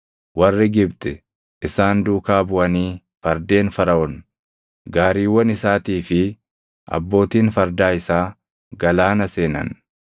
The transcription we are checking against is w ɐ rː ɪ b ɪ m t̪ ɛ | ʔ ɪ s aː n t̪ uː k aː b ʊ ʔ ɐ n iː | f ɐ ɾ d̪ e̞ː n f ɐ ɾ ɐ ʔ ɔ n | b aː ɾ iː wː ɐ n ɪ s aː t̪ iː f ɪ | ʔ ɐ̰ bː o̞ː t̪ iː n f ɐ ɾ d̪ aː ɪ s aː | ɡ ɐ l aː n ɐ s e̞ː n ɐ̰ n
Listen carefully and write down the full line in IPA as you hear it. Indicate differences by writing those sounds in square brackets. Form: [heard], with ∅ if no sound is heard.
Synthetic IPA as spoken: w ɐ rː ɪ [ɡ] ɪ [b] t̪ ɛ | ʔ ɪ s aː n [d̪] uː k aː b ʊ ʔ ɐ n iː | f ɐ ɾ d̪ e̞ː n f ɐ ɾ ɐ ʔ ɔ n | [ɡ] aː ɾ iː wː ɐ n ɪ s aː t̪ iː f ɪ | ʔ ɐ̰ bː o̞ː t̪ iː n f ɐ ɾ d̪ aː ɪ s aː | ɡ ɐ l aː n ɐ s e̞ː n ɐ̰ n